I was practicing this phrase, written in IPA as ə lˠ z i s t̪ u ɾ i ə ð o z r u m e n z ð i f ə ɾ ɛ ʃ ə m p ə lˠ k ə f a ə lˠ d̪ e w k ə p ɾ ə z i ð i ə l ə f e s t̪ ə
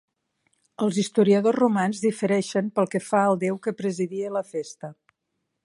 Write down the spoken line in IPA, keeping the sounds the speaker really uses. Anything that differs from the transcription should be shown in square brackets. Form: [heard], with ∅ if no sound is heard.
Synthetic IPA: ə lˠ z i s t̪ u ɾ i ə ð o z r u m [a] n z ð i f ə ɾ ɛ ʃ ə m p ə lˠ k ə f a ə lˠ d̪ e w k ə p ɾ ə z i ð i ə l ə f e s t̪ ə